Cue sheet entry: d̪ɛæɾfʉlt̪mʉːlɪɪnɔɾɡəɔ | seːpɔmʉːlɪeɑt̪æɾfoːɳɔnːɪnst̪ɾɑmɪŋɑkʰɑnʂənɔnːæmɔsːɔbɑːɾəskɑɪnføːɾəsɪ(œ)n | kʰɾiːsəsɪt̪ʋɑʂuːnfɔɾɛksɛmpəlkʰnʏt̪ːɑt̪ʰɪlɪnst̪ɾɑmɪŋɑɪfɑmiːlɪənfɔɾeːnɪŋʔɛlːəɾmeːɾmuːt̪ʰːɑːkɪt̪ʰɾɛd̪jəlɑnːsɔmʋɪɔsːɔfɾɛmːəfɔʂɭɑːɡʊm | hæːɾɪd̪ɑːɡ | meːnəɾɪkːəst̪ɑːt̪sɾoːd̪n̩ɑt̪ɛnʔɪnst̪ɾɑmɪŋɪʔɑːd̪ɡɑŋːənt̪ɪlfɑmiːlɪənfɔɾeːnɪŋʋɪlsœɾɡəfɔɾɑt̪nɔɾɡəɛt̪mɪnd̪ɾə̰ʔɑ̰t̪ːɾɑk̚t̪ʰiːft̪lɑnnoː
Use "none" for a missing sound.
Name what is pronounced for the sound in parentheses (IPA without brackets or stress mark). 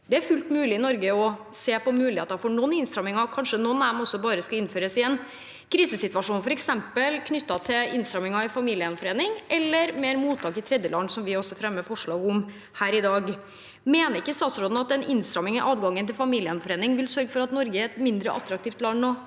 ɛ